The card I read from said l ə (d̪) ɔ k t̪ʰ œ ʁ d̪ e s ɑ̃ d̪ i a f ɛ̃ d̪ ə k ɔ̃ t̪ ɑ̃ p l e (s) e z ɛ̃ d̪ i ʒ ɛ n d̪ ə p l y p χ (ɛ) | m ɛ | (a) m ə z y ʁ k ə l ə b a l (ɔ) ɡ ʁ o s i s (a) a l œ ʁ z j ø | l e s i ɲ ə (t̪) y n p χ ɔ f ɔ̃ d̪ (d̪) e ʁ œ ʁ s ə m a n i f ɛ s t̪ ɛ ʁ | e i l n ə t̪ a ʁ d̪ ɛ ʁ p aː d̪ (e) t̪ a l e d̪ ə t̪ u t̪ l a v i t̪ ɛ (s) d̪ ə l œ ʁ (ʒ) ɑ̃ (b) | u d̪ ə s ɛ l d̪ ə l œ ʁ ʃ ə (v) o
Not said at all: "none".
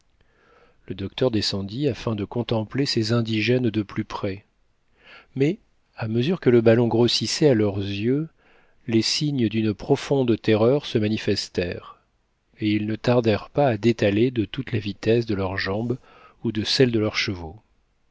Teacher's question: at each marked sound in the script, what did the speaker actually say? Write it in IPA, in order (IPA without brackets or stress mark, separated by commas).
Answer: d̪, s, ɛ, a, ɔ̃, ɛ, d̪, t̪, e, s, ʒ, b, v